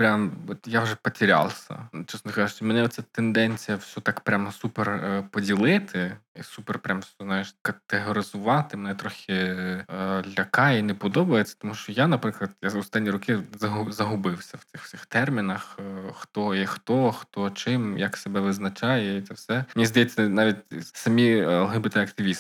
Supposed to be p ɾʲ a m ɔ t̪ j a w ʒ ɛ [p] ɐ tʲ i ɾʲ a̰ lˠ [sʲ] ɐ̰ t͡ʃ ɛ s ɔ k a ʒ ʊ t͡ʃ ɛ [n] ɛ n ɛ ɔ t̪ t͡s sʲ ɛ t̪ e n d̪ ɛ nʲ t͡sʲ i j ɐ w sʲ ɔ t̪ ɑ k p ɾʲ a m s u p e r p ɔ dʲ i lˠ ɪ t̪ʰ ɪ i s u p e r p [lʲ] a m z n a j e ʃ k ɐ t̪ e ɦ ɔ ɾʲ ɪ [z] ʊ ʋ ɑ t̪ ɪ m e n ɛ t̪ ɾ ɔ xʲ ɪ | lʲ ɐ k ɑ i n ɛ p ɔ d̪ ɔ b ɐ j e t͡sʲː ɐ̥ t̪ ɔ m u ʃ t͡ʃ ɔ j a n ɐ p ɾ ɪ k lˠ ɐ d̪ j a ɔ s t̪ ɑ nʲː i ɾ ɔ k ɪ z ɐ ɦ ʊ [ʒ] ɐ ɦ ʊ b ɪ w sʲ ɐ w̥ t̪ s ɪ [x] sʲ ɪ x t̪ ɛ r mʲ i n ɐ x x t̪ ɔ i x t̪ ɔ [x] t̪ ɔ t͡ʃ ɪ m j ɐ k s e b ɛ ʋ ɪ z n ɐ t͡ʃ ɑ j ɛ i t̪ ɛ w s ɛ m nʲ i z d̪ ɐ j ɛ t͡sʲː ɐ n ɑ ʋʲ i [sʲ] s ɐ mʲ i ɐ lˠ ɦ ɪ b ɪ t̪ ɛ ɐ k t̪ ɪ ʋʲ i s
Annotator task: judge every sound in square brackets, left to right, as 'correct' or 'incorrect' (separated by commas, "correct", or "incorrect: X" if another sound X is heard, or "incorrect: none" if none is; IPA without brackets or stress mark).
correct, correct, incorrect: m, incorrect: ɾʲ, correct, incorrect: z, correct, correct, incorrect: tʲ